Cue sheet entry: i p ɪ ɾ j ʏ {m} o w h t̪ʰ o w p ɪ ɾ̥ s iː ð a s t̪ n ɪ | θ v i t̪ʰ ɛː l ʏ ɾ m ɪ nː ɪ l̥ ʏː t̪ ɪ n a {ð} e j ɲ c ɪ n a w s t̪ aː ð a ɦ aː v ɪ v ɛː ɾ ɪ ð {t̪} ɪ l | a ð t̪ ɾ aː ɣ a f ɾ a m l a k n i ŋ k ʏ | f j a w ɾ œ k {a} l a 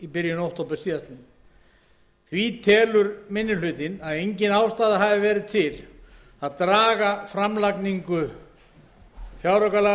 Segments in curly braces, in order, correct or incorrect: incorrect, correct, incorrect, correct

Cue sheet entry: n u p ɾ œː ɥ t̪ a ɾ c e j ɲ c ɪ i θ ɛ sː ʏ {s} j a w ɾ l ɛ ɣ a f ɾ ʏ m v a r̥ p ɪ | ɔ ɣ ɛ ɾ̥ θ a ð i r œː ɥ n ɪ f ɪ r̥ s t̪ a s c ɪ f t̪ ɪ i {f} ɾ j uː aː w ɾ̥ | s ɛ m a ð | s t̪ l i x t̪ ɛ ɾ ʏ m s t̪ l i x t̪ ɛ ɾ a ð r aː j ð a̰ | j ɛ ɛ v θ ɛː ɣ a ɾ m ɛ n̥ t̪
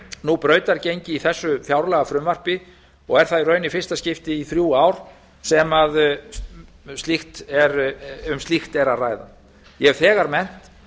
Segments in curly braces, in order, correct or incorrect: incorrect, incorrect

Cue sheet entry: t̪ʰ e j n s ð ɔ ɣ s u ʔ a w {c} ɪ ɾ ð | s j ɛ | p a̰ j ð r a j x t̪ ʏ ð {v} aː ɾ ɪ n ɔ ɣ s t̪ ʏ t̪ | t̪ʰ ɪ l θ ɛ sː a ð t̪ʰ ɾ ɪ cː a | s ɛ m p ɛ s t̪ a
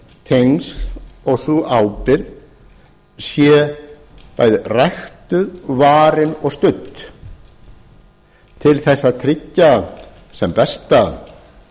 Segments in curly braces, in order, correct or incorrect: incorrect, correct

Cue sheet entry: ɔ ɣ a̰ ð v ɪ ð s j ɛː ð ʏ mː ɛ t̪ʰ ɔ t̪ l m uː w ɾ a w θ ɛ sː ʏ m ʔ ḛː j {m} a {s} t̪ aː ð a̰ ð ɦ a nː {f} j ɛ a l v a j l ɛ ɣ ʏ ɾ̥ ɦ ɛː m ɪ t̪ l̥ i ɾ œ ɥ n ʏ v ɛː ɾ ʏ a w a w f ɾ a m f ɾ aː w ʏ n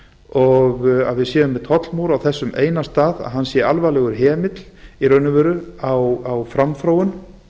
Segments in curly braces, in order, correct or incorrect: incorrect, correct, incorrect

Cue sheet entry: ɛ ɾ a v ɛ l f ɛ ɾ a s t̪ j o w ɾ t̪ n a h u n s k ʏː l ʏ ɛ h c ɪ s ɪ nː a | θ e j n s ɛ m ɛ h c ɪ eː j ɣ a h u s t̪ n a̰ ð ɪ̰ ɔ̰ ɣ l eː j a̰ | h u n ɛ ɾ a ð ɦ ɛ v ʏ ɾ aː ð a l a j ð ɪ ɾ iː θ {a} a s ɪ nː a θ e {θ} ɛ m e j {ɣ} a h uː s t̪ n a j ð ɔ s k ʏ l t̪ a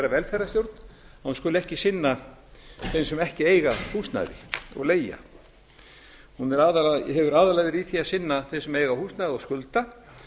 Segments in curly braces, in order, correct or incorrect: incorrect, incorrect, correct

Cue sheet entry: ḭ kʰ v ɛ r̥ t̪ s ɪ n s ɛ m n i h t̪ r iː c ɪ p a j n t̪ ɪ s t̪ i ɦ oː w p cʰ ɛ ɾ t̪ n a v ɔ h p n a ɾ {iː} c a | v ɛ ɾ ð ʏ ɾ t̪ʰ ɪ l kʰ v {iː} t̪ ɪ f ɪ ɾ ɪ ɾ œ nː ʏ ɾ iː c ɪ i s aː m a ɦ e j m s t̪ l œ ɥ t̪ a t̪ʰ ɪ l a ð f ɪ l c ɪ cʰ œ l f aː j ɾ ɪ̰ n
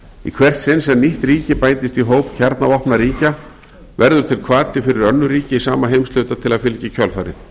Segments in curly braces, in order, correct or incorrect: correct, incorrect

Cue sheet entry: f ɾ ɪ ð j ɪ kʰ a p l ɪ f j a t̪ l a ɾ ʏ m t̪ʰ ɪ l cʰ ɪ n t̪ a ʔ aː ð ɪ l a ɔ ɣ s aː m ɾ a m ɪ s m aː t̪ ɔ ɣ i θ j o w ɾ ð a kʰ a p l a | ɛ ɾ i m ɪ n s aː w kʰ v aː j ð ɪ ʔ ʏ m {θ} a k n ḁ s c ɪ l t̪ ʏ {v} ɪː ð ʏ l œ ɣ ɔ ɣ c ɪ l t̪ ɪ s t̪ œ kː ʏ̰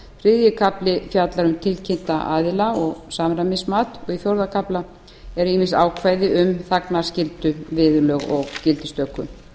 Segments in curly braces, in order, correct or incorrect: correct, correct

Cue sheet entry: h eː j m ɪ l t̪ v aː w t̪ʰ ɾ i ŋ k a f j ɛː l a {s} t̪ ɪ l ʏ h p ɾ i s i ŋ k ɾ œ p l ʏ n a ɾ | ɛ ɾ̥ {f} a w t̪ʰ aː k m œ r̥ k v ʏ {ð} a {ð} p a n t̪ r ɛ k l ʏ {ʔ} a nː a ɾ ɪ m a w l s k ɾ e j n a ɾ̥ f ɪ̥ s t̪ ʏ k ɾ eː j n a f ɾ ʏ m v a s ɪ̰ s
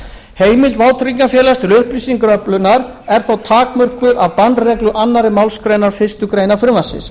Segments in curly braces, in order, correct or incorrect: correct, incorrect, correct, incorrect, correct

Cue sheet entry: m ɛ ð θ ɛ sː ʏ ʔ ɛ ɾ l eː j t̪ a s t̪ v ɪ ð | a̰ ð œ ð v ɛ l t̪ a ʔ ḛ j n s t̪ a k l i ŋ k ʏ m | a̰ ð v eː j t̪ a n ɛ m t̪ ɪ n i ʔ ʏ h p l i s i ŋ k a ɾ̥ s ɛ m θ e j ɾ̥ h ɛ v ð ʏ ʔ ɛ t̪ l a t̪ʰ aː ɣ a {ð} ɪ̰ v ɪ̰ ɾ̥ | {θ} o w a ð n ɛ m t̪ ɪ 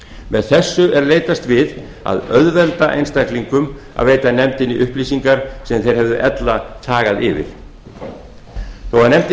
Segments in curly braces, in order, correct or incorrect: correct, correct

